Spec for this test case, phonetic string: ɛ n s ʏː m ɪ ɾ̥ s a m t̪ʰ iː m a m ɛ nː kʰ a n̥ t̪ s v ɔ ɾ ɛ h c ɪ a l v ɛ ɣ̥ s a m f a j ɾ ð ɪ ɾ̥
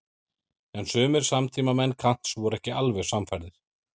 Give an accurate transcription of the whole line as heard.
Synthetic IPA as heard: ɛ n s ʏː m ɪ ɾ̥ s a m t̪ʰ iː m a m ɛ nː kʰ a n̥ t̪ s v ɔ ɾ ɛ h c ɪ a l v ɛ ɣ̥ s a m f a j ɾ ð ɪ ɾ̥